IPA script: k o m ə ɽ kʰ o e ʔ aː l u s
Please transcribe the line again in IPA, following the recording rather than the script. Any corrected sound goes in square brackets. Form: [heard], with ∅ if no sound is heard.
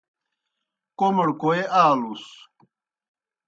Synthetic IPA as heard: k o m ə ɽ [k] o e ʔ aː l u s